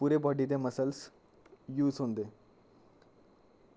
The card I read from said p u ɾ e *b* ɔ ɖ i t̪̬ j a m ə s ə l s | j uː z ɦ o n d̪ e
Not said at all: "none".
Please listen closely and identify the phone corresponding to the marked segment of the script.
b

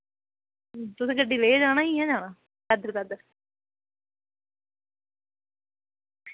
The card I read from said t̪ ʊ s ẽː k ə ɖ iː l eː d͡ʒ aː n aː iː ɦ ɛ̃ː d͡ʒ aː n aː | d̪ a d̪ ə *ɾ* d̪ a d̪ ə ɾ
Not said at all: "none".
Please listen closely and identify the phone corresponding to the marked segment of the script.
ɾ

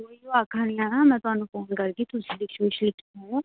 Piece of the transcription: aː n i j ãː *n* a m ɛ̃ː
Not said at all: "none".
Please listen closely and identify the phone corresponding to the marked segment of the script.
n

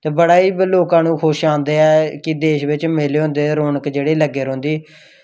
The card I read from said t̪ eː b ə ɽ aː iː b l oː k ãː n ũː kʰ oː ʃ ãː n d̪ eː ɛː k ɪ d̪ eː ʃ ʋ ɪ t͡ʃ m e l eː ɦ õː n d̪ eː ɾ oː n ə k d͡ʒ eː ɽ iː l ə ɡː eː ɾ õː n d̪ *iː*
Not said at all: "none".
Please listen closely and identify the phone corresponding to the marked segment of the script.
iː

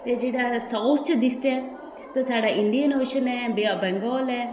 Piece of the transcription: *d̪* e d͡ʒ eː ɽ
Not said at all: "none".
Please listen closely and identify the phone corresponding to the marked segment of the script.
t̪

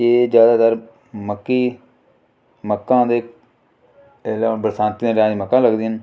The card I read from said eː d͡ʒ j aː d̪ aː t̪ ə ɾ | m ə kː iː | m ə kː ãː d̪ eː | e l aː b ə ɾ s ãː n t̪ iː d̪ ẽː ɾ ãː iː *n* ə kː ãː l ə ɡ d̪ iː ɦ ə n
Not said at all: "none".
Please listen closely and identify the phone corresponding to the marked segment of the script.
m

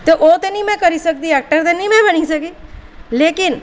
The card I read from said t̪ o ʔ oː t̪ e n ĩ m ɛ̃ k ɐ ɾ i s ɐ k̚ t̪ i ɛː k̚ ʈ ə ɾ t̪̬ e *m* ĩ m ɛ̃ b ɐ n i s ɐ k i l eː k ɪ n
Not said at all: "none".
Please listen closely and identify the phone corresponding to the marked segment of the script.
n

